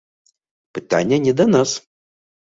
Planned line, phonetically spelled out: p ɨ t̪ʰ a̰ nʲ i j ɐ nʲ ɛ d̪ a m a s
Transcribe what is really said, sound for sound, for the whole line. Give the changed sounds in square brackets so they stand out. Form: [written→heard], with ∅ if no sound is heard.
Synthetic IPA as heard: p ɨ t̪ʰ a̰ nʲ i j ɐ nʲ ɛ d̪ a [m→n] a s